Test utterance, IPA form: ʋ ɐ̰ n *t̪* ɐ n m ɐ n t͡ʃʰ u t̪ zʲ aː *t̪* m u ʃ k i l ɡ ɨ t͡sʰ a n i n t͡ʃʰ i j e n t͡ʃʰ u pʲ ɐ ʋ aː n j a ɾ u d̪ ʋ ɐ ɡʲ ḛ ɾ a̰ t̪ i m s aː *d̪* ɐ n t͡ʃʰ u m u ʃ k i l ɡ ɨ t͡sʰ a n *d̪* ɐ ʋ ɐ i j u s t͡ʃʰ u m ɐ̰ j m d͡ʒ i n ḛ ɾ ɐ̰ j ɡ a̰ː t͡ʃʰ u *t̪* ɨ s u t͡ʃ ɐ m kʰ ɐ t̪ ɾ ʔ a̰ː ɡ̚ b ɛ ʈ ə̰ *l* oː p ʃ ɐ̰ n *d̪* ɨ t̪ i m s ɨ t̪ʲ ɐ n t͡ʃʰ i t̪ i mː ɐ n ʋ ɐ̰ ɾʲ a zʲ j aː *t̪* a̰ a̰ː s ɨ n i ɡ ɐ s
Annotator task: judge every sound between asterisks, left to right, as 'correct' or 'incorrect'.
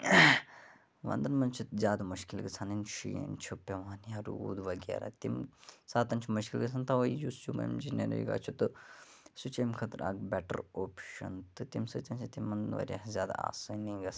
incorrect, incorrect, incorrect, incorrect, correct, incorrect, incorrect, incorrect

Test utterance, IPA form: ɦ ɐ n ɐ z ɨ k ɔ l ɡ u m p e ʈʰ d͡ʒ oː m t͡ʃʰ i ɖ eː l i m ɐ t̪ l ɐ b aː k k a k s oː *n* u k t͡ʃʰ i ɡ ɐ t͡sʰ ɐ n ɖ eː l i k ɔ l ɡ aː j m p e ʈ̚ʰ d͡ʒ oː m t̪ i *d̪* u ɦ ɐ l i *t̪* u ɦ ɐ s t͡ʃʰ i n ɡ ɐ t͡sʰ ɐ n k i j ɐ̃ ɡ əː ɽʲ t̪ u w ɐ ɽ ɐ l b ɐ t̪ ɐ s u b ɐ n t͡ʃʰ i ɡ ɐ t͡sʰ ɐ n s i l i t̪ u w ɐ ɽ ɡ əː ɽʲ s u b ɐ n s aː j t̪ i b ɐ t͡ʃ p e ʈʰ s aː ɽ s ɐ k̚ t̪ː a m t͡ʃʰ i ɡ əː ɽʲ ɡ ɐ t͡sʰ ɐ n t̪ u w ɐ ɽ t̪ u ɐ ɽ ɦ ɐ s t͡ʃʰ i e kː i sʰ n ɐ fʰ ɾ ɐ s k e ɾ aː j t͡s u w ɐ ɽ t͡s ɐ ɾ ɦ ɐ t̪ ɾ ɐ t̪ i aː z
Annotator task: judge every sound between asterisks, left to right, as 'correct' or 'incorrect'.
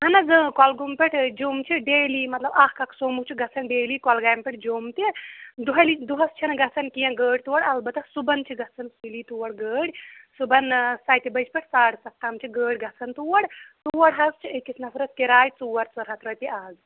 incorrect, correct, incorrect

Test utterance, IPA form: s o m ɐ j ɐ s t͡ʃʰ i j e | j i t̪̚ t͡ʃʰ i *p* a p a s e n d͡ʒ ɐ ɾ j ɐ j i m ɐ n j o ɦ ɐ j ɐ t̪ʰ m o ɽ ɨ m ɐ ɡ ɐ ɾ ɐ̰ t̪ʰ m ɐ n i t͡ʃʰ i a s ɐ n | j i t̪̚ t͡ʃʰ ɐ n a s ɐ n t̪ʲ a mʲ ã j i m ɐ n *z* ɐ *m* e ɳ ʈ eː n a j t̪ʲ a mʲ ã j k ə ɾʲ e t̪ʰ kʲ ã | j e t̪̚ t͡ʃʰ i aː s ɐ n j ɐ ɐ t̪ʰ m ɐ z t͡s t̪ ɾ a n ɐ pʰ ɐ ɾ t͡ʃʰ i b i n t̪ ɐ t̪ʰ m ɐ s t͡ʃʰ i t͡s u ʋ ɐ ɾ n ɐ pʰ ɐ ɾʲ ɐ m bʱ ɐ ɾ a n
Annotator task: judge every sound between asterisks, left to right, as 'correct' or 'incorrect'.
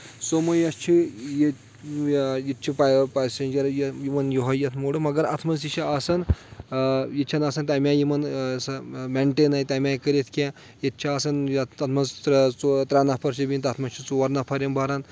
correct, incorrect, correct

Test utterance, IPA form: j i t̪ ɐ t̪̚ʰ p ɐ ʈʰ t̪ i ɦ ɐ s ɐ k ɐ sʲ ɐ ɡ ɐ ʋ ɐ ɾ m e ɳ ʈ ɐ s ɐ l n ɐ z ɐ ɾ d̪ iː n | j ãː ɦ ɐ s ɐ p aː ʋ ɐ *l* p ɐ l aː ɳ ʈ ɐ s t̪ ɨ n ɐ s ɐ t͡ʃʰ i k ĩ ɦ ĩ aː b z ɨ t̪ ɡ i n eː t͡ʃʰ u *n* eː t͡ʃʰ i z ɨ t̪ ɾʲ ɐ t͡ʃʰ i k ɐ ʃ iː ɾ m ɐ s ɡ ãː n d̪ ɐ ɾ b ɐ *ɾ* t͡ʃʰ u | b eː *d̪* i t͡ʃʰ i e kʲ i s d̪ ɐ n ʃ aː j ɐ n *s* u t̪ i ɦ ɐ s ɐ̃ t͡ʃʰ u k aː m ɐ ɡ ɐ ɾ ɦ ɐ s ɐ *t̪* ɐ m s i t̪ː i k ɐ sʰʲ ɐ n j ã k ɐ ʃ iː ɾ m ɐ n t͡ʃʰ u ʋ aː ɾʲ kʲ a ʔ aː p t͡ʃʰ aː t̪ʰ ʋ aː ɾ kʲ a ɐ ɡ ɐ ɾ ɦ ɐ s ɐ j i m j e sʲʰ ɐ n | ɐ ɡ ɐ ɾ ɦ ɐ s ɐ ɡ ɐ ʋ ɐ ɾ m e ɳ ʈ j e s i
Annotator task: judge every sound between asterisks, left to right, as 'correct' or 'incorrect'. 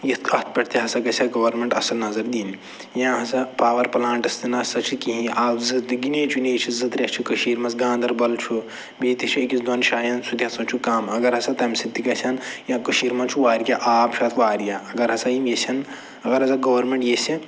incorrect, correct, incorrect, incorrect, correct, correct

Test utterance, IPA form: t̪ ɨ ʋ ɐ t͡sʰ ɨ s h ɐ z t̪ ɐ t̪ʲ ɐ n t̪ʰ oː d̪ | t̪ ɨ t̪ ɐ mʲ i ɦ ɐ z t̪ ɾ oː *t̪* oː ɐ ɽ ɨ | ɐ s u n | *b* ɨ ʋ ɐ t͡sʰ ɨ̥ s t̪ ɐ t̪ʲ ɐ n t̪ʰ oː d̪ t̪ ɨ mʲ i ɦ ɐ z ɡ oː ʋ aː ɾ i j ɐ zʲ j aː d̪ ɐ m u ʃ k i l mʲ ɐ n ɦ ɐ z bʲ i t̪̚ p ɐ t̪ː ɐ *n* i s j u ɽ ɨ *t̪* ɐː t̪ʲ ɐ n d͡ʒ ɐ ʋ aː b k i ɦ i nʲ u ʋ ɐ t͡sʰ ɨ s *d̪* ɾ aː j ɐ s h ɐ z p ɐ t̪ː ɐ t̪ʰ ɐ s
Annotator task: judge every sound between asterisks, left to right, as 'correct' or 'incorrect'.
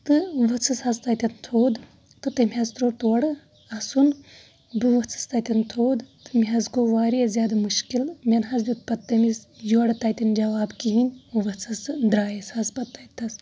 correct, correct, incorrect, correct, correct

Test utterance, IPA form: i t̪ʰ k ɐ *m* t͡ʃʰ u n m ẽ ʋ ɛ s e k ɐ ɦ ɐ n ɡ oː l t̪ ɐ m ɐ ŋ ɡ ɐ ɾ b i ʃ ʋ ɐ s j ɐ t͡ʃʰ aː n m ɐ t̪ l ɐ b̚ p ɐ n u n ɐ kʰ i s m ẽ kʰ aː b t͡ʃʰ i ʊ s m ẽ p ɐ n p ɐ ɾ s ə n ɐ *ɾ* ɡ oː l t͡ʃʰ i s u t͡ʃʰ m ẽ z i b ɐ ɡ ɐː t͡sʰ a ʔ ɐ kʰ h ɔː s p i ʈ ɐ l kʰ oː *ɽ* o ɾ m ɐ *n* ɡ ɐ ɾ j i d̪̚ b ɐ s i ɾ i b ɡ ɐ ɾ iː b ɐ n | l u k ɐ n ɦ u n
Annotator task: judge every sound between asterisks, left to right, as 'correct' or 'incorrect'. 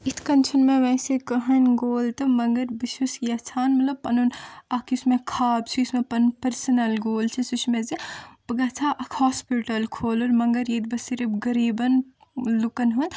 incorrect, incorrect, incorrect, incorrect

